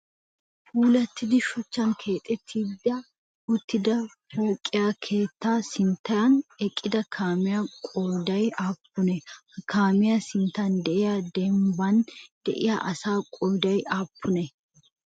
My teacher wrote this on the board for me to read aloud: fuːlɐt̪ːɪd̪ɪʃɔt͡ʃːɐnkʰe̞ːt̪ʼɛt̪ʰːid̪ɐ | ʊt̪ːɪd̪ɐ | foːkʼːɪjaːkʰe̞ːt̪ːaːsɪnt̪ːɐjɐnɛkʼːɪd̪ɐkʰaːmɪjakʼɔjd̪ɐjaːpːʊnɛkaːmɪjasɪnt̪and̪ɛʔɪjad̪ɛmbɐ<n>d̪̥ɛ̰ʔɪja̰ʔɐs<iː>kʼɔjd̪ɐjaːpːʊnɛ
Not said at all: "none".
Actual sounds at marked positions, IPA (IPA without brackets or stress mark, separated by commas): n, aː